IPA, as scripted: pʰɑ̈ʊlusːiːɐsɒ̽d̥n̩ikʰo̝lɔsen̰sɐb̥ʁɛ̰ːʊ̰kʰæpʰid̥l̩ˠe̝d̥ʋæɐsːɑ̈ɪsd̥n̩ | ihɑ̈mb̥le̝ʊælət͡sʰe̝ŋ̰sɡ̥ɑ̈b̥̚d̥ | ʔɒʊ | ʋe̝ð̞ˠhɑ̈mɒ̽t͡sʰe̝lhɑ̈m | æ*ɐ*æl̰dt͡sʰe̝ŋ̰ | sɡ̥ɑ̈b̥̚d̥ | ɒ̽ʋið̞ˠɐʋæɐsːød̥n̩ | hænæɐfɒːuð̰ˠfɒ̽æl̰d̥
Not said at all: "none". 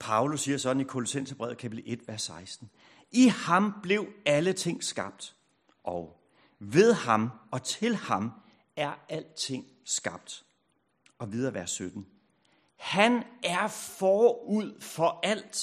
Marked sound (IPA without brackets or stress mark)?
ɐ